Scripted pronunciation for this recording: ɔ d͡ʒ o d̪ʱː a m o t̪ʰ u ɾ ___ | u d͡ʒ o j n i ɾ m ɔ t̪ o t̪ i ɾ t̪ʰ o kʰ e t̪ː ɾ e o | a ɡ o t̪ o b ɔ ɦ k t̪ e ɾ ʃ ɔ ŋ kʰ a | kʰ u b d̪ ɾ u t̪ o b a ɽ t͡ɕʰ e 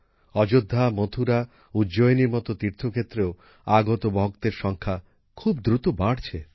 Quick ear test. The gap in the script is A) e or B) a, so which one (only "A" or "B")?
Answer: B